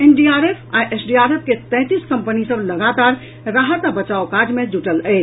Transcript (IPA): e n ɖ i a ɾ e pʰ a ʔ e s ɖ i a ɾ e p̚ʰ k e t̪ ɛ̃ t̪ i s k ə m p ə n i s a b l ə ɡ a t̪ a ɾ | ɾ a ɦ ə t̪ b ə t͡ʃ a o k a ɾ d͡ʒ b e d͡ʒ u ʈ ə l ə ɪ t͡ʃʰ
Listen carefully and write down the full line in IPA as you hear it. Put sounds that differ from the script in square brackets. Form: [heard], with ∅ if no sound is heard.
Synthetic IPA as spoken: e n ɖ i a ɾ e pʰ a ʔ e s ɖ i a ɾ e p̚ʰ k e t̪ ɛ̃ t̪ i s k ə m p ə n i s [ə] b l ə ɡ a t̪ a ɾ | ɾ a ɦ ə t̪ b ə t͡ʃ a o k a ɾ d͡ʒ [m] e d͡ʒ u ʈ ə l ə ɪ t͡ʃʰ

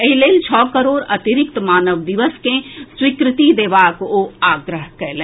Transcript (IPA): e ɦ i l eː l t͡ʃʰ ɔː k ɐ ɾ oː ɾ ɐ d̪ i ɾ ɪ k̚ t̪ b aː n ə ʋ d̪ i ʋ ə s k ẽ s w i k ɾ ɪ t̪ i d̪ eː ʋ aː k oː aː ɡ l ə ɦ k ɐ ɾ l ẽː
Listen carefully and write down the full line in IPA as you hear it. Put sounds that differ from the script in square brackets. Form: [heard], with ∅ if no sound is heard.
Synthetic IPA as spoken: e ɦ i l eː l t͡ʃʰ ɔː k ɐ ɾ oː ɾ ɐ [t̪] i ɾ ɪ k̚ t̪ [m] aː n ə ʋ d̪ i ʋ ə s k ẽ s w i k ɾ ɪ t̪ i d̪ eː ʋ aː k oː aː ɡ [ɾ] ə ɦ k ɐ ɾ l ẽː

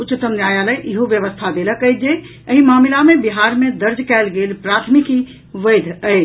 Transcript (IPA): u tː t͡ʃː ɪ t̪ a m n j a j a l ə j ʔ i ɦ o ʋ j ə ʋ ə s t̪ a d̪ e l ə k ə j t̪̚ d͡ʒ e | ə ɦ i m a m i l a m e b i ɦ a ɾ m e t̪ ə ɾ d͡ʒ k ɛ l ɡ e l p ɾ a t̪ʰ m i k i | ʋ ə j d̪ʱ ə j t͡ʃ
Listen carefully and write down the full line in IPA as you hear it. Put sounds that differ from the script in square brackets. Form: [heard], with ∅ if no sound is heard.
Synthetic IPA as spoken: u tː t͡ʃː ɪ t̪ [ə] m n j a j a l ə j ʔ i ɦ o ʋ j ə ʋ ə s [t̪ʰ] a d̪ e l ə k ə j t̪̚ d͡ʒ e | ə ɦ i m a m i l a m e b i ɦ a ɾ m e [d̪] ə ɾ d͡ʒ k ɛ l ɡ e l p ɾ a t̪ʰ m i k i | ʋ ə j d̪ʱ ə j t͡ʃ

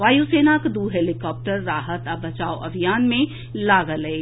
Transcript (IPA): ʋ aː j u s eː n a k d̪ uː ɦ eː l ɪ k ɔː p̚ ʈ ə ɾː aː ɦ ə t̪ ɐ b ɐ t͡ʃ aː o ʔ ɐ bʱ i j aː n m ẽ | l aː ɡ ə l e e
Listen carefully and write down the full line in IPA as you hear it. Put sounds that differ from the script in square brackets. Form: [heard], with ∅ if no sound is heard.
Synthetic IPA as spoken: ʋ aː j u s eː n a k d̪ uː ɦ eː l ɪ k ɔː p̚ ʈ ə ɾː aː ɦ ə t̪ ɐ b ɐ t͡ʃ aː o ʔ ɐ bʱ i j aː n m ẽ | l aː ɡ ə l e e

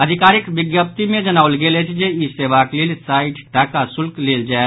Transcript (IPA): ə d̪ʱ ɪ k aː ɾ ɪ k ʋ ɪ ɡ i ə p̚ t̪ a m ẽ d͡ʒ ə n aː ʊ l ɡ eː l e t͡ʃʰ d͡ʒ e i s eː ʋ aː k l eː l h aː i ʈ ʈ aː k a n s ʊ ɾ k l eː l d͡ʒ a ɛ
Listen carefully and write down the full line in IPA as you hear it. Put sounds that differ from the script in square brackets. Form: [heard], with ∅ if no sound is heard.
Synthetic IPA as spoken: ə d̪ʱ ɪ k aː ɾ ɪ k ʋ ɪ ɡ [j] ə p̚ t̪ [i] m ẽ d͡ʒ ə n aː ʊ l ɡ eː l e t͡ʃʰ d͡ʒ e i s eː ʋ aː k l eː l [s] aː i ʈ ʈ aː k a [∅] s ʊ [l] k l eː l d͡ʒ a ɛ

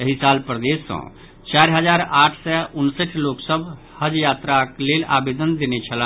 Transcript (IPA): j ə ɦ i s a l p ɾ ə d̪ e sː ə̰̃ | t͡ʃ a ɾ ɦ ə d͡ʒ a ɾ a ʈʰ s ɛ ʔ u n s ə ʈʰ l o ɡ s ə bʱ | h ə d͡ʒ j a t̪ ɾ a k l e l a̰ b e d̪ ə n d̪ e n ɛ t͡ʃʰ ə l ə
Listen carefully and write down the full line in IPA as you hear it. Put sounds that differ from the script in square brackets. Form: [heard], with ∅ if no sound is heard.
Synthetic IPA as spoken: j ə ɦ i s a l p ɾ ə d̪ e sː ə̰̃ | t͡ʃ a ɾ ɦ ə d͡ʒ a ɾ a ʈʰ s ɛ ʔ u n s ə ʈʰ l o [k] s ə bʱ | h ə d͡ʒ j a t̪ ɾ a k l e l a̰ b e d̪ ə n d̪ e n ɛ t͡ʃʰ ə l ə

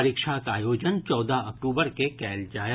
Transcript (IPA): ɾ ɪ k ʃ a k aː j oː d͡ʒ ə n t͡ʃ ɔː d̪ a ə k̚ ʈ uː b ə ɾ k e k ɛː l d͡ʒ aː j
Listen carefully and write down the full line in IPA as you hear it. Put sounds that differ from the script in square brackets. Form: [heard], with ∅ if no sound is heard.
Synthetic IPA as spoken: ɾ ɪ k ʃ a k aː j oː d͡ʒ ə n t͡ʃ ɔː d̪ a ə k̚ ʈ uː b ə ɾ k e k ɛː l d͡ʒ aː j

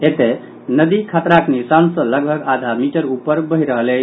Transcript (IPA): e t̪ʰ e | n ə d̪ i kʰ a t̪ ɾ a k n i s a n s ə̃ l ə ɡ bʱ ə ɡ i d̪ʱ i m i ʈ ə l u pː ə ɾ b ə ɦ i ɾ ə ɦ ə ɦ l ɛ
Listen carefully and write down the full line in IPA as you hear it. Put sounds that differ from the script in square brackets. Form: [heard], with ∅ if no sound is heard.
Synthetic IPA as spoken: e [t̪] e | n ə d̪ i kʰ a t̪ ɾ a k n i s a n s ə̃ l ə ɡ bʱ ə ɡ [a] d̪ʱ [a] m i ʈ ə [ɾ] u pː ə ɾ b ə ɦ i ɾ ə ɦ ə [∅] l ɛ

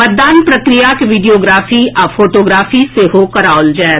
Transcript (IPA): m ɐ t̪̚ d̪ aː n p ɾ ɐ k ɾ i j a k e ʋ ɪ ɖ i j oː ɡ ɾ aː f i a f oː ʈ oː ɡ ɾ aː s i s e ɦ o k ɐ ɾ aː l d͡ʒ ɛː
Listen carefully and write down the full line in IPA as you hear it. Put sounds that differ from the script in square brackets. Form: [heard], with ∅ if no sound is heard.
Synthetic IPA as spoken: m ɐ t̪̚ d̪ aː n p ɾ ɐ k ɾ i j a k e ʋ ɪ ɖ i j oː ɡ ɾ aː f i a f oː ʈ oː ɡ ɾ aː [f] i s e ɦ o k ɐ ɾ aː l d͡ʒ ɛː

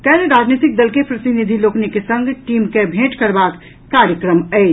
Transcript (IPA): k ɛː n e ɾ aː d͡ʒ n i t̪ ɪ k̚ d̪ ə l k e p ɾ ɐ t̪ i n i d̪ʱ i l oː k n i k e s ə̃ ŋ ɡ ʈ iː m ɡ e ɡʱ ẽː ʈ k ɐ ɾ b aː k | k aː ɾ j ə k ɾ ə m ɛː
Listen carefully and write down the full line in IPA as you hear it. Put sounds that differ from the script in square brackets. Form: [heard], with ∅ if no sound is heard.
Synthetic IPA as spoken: k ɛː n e ɾ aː d͡ʒ n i t̪ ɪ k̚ d̪ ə l k e p ɾ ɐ t̪ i n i d̪ʱ i l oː k n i k e s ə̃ ŋ ɡ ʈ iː m [k] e [bʱ] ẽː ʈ k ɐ ɾ b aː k | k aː ɾ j ə k ɾ ə m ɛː

